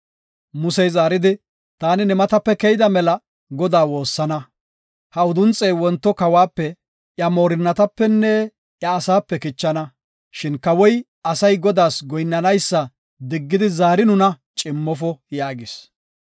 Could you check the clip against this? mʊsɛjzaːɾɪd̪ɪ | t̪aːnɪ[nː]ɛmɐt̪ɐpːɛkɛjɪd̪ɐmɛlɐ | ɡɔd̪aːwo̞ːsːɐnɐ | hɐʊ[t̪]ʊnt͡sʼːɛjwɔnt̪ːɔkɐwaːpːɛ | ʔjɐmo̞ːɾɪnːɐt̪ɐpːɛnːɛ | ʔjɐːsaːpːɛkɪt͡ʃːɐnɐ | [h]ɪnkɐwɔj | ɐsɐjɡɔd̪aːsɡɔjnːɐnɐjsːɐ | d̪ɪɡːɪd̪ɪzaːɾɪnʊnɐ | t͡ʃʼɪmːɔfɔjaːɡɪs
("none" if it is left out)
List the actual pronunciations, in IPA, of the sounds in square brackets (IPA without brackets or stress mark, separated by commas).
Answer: n, d̪, ʃ